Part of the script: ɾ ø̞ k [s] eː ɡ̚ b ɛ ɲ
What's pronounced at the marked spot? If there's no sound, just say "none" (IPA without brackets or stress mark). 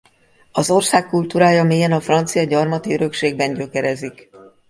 ʃ